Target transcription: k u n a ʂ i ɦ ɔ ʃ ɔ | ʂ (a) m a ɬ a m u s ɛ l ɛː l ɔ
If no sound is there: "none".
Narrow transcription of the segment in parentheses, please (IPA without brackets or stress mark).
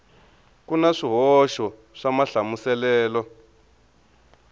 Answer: a